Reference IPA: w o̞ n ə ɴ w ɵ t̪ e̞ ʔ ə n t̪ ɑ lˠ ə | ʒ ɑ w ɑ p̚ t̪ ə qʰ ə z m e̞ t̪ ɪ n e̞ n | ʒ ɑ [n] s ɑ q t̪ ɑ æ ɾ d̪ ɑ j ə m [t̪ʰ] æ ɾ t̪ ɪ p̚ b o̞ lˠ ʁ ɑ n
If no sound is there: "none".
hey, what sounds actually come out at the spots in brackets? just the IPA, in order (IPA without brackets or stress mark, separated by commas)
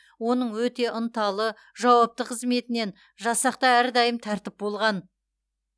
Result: none, t̪ʰ